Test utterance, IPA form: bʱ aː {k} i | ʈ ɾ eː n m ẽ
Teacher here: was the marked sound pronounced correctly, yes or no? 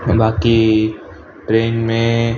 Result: yes